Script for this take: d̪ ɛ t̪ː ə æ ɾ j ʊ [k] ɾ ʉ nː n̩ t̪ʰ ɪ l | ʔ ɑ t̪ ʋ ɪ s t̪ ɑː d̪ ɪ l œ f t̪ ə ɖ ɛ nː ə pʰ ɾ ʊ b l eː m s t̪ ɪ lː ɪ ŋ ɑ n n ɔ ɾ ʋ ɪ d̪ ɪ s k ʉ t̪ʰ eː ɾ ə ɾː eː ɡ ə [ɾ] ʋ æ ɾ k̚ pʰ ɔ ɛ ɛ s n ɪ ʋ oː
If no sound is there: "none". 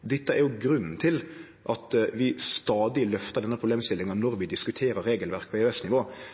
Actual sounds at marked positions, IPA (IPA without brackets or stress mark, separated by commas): ɡ, l